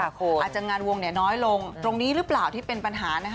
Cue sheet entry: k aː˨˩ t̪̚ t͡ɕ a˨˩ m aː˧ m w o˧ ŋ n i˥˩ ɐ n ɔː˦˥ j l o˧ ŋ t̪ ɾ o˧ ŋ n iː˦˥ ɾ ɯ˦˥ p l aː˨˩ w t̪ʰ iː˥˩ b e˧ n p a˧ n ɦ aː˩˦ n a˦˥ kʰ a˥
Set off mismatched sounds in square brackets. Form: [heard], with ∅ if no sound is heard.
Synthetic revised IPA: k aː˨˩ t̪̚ t͡ɕ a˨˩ [ŋ] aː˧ [n] w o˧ ŋ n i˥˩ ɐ n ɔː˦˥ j l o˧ ŋ t̪ ɾ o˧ ŋ n iː˦˥ ɾ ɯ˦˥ p l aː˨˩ w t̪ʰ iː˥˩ [p] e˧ n p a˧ n ɦ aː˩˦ n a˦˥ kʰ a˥